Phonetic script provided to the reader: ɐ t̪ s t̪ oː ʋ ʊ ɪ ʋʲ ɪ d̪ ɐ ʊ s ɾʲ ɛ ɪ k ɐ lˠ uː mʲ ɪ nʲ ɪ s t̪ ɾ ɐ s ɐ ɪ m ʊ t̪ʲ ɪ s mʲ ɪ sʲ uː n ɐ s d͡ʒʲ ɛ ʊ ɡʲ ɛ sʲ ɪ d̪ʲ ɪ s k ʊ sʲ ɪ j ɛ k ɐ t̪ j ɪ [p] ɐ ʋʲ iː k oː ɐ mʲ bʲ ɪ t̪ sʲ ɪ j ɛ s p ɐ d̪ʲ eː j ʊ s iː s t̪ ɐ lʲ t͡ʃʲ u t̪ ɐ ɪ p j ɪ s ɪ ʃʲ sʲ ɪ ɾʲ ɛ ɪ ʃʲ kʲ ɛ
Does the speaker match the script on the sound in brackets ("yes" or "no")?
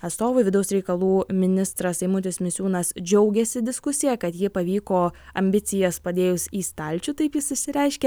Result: yes